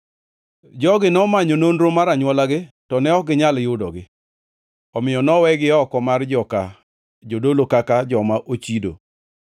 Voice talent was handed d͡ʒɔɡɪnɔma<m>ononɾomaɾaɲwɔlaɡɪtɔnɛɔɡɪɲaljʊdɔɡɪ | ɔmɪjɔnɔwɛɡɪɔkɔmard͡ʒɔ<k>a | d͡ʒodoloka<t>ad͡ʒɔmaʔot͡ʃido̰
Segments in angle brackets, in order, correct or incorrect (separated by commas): incorrect, correct, incorrect